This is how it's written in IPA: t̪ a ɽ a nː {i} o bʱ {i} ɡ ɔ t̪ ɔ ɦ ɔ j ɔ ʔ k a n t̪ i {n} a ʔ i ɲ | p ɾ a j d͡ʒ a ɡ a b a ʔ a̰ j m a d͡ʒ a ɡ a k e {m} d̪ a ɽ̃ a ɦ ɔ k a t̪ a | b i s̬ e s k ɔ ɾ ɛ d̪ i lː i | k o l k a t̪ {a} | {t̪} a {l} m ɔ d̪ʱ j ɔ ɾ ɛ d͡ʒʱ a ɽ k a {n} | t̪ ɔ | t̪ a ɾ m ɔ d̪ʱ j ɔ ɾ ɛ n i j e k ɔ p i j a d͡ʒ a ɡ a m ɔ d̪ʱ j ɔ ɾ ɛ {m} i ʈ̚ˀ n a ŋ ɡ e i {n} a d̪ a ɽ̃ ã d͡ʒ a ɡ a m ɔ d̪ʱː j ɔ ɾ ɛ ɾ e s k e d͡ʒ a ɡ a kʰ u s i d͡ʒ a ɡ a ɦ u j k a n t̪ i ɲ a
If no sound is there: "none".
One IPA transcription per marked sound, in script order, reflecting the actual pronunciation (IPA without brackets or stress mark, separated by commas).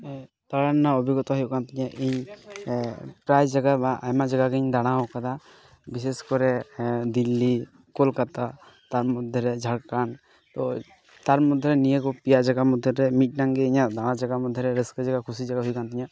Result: a, i, ɲ, ɲ, a, t̪, ɾ, n, m, ɲ